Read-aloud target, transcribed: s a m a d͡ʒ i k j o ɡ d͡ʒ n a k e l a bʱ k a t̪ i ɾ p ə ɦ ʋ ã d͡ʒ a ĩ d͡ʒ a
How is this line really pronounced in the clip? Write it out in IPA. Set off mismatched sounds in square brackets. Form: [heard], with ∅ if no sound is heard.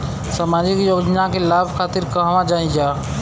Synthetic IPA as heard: s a m a d͡ʒ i k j o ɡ d͡ʒ n a k e l a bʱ [kʰ] a t̪ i ɾ [k] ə ɦ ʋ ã d͡ʒ a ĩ d͡ʒ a